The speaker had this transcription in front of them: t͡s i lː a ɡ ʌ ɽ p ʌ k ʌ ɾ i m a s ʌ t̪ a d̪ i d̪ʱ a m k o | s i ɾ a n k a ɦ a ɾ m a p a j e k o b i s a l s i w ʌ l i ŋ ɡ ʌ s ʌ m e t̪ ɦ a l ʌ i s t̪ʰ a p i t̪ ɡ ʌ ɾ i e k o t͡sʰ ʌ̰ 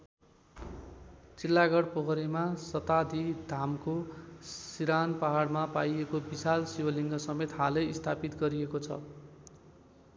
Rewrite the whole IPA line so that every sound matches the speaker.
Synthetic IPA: t͡s i lː a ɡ ʌ ɽ p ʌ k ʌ ɾ i m a s ʌ t̪ a d̪ i d̪ʱ a m k o | s i ɾ a n p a ɦ a ɽ m a p a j e k o b i s a l s i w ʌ l i ŋ ɡ ʌ s ʌ m e t̪ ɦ a l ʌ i s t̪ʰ a p i t̪ ɡ ʌ ɾ i e k o t͡sʰ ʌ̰